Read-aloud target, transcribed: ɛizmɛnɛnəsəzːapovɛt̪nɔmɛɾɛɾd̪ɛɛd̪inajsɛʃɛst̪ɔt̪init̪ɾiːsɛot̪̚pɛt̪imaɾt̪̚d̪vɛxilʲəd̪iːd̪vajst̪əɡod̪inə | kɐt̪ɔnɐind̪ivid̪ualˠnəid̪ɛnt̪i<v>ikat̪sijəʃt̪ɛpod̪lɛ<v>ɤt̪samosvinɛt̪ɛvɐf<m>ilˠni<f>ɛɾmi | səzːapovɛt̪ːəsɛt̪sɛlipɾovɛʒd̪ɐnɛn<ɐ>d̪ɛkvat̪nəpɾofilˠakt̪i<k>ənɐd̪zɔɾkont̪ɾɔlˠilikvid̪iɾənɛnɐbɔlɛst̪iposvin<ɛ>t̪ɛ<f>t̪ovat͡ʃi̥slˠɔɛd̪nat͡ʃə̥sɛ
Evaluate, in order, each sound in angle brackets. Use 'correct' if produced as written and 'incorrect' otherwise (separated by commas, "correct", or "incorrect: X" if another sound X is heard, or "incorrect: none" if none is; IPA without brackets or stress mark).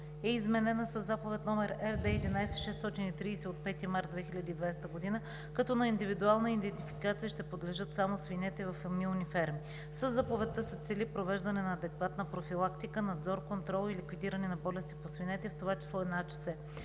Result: incorrect: f, incorrect: ʒ, correct, correct, incorrect: ɐː, correct, correct, correct